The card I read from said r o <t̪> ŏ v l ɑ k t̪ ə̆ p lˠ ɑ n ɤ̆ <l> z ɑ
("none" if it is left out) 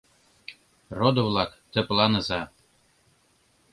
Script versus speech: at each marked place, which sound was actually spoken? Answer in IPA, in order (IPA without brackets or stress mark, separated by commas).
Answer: d̪, none